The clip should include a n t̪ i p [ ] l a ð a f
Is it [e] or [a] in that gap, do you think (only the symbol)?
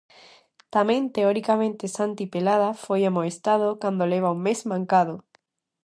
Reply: e